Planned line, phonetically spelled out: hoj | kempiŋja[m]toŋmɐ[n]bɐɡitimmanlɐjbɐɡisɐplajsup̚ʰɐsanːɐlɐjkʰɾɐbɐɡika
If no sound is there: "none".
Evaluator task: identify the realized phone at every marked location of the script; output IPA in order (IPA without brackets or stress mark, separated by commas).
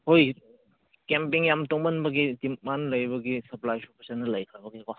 m, n